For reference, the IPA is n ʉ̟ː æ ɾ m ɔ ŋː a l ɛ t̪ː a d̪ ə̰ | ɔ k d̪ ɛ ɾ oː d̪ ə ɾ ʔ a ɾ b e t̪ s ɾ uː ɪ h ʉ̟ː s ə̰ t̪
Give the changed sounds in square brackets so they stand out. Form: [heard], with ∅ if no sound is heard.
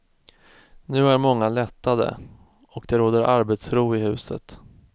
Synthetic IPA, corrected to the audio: n ʉ̟ː æ ɾ m ɔ ŋː a l ɛ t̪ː a d̪ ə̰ | ɔ k d̪ ɛ ɾ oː d̪ ə ɾ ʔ a ɾ b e t̪ s ɾ uː ɪ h ʉ̟ː s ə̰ t̪